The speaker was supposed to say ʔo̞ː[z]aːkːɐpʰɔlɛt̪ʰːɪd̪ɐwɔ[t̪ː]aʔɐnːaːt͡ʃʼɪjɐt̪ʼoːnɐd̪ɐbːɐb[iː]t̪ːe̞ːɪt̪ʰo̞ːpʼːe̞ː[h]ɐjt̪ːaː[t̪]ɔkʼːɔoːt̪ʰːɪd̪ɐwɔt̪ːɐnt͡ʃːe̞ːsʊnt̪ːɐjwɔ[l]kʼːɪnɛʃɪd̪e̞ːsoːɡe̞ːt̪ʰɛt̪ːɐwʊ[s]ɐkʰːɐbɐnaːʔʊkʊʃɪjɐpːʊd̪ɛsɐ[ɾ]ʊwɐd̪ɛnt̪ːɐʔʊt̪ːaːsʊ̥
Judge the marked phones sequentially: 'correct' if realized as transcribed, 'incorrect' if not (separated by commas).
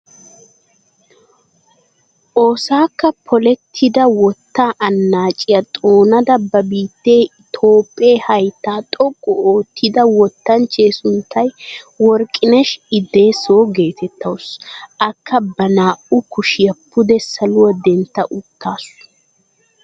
incorrect, correct, correct, correct, incorrect, incorrect, correct, incorrect